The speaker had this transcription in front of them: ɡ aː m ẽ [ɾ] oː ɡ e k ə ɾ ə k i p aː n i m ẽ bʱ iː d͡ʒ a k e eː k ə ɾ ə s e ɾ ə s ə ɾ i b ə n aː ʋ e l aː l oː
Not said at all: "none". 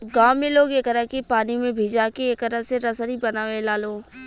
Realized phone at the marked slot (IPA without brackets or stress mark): l